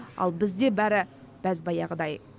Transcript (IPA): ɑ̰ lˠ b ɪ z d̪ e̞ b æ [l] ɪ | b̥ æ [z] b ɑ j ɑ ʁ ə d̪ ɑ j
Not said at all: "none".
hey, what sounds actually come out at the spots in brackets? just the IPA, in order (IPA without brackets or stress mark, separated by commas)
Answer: ɾ, z